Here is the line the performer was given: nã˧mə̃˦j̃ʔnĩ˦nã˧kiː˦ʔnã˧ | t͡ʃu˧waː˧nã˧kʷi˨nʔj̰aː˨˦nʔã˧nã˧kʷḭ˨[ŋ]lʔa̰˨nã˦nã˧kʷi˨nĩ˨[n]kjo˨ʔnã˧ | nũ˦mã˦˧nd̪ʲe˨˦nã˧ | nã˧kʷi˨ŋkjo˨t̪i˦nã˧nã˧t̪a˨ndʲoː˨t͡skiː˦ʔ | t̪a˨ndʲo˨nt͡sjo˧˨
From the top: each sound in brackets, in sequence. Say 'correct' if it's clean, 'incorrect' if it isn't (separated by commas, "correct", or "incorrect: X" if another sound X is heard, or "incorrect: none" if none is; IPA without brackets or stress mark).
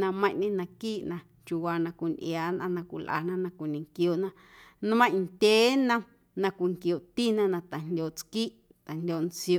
incorrect: none, incorrect: ŋ